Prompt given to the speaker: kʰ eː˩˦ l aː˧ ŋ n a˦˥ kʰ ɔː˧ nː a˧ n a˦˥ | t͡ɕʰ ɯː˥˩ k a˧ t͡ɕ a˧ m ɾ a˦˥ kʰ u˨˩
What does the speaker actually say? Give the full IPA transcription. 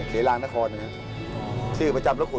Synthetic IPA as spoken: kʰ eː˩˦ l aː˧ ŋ n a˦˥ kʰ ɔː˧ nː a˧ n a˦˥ | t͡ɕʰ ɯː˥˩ p a˧ t͡ɕ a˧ m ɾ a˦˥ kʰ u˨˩

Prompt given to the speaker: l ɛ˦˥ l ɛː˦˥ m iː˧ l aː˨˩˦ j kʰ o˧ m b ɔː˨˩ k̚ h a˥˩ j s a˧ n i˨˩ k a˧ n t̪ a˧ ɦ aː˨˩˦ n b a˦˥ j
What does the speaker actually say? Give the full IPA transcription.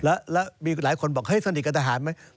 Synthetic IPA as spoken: l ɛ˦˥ l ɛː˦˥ m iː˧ l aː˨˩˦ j kʰ o˧ n b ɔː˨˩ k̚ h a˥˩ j s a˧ n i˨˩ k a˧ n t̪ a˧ ɦ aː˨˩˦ n m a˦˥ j

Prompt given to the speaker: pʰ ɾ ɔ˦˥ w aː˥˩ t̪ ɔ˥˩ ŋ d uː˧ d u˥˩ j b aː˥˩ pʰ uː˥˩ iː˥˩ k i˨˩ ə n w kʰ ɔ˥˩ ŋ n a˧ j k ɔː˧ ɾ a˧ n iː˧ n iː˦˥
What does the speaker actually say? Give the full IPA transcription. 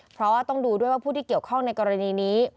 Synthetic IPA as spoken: pʰ ɾ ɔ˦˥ w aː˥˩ t̪ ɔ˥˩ ŋ d uː˧ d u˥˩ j w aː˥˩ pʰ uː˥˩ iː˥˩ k i˨˩ ə w kʰ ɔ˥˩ ŋ n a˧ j k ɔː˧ ɾ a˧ n iː˧ n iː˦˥

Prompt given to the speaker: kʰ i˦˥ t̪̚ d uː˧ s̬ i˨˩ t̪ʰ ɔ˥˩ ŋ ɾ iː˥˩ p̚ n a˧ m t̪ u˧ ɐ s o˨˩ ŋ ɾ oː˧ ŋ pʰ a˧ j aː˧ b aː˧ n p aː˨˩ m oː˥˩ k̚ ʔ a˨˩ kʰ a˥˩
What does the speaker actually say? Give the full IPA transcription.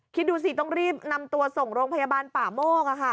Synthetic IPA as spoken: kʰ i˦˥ t̪̚ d uː˧ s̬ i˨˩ t̪ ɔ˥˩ ŋ ɾ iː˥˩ p̚ n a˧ m t̪ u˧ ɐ s o˨˩ ŋ ɾ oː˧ ŋ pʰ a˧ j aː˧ b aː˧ n p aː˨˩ m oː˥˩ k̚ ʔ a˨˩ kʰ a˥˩

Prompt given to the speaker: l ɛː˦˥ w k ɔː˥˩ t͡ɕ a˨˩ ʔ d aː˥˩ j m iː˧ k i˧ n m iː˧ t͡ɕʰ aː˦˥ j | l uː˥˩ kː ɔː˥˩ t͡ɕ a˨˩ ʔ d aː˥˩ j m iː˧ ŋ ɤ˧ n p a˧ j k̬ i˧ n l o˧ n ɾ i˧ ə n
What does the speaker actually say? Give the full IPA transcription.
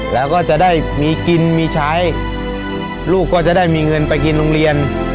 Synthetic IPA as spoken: l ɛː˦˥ w k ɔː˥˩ t͡ɕ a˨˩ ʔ d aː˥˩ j m iː˧ k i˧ n m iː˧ t͡ɕʰ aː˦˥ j | l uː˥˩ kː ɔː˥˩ t͡ɕ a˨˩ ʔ d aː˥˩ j m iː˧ ŋ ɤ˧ n p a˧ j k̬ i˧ n l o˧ ŋ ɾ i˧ ə n

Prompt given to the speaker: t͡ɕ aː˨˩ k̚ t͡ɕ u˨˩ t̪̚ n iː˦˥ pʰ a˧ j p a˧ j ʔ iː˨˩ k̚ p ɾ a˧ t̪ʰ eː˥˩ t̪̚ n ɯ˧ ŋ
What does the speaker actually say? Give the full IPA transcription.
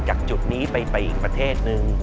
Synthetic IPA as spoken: t͡ɕ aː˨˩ k̚ t͡ɕ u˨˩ t̪̚ n iː˦˥ p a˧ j p a˧ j ʔ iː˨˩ k̚ p ɾ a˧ t̪ʰ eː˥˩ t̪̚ n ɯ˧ ŋ

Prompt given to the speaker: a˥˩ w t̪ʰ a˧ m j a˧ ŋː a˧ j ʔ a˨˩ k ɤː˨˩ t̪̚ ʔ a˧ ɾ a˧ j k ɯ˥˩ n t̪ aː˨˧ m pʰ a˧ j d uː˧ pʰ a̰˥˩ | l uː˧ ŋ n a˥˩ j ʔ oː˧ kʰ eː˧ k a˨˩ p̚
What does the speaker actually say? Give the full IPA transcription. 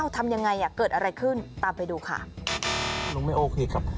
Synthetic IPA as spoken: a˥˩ w t̪ʰ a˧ m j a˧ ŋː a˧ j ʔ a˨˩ k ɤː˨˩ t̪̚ ʔ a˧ ɾ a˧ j kʰ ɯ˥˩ n t̪ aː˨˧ m p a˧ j d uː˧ kʰ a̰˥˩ | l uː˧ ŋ m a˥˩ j ʔ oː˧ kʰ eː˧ k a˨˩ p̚

